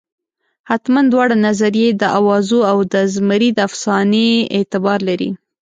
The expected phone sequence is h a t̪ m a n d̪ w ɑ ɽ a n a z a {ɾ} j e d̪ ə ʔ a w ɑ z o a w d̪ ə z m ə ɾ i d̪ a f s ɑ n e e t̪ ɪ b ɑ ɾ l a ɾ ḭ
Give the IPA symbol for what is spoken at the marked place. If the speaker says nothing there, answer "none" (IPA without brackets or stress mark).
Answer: ɾ